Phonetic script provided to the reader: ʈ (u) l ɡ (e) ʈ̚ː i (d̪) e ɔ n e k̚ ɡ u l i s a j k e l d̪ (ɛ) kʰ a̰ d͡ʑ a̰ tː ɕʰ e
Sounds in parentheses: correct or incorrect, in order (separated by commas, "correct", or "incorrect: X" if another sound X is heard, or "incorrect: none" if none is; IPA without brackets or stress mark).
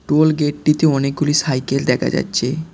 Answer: incorrect: o, correct, incorrect: t̪, correct